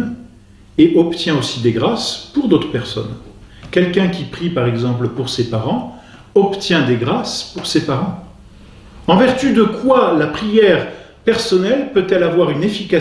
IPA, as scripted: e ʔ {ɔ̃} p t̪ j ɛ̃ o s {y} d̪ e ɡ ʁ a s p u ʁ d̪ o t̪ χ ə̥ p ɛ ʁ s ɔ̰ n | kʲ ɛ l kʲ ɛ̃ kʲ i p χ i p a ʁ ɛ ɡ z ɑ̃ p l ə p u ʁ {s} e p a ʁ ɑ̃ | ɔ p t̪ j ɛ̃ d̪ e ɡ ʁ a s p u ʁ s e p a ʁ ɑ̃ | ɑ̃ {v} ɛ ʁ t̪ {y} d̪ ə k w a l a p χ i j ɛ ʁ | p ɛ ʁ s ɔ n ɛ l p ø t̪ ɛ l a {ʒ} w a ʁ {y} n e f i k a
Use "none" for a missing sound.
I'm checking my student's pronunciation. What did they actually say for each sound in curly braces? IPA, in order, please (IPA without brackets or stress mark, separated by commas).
ɔ, i, s, v, y, v, y